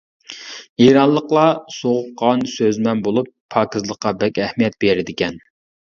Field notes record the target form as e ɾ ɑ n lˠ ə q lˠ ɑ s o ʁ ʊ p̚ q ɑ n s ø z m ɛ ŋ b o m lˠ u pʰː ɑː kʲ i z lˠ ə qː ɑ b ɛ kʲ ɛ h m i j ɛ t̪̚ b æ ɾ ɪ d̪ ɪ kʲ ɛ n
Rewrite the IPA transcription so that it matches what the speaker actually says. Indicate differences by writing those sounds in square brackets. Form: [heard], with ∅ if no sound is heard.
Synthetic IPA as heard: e ɾ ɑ n lˠ ə q lˠ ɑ s o ʁ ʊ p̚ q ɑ n s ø z m ɛ [n] b o [∅] lˠ u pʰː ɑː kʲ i z lˠ ə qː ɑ b ɛ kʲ ɛ h m i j ɛ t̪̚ b [e] ɾ ɪ d̪ ɪ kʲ ɛ n